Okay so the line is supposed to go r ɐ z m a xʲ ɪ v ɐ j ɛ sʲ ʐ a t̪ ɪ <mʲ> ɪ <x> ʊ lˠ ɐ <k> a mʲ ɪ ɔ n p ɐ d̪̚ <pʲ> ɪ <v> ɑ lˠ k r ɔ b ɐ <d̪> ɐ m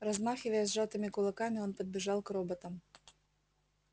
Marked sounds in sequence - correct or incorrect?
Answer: correct, incorrect: k, correct, incorrect: bʲ, incorrect: ʐ, incorrect: t̪

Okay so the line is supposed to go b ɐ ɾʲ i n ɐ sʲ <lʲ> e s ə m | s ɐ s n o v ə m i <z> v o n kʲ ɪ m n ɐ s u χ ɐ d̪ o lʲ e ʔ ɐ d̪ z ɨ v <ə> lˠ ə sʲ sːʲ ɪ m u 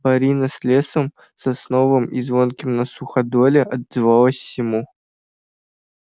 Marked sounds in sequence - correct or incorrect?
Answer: correct, correct, incorrect: ɑ

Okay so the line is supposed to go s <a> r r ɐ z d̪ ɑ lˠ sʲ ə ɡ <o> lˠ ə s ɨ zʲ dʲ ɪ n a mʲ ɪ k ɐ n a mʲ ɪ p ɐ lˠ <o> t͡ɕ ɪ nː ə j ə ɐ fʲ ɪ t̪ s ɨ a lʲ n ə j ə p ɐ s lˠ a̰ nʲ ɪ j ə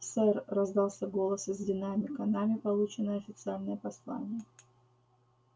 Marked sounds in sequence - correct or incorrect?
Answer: incorrect: ɛ, correct, incorrect: u

